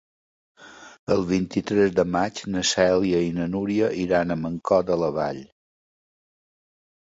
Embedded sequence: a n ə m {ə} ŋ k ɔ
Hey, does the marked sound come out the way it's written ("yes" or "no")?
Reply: yes